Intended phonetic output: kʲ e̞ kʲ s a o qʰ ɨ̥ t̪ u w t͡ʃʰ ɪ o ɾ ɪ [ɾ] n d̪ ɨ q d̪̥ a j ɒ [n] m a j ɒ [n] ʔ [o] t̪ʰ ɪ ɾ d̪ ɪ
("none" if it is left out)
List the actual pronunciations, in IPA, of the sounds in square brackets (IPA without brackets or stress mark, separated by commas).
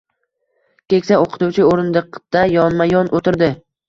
none, n, n, o